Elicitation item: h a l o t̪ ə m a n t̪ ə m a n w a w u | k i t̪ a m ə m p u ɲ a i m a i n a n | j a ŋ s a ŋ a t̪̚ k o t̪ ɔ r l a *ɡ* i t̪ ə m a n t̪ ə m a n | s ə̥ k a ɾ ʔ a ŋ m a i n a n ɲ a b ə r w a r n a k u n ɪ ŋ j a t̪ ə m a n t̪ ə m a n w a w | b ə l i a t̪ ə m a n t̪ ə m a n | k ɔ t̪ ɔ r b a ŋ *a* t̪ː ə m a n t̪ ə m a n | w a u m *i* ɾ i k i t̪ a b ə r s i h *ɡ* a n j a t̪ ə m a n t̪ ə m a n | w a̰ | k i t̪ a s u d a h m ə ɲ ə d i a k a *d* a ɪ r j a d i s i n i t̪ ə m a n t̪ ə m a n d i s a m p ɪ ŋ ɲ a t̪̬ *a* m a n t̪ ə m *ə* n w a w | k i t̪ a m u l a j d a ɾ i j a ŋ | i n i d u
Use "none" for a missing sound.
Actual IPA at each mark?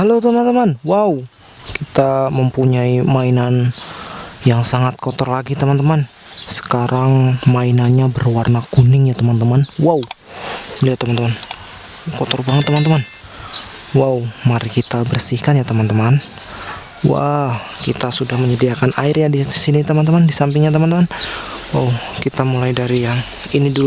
ɡ, ə, a, k, n, ə, a

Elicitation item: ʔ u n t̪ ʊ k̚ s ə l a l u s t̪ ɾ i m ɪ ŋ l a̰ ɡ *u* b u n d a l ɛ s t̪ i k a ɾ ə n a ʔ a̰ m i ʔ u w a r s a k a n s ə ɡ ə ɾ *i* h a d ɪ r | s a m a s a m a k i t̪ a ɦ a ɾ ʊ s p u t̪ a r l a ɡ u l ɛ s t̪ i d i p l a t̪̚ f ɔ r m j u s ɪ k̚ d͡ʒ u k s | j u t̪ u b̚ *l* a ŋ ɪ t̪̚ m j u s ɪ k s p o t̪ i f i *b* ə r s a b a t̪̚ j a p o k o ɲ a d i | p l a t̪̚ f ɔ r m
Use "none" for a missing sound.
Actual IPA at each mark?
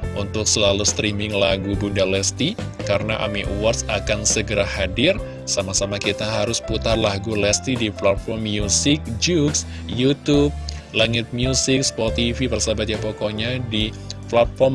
u, a, l, p

